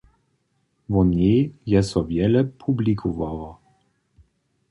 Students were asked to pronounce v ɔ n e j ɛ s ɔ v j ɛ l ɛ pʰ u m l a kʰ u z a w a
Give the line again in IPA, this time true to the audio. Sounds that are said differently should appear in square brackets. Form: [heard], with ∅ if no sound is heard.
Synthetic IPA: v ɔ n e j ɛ s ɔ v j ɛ l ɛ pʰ u [b] l [i] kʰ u [v] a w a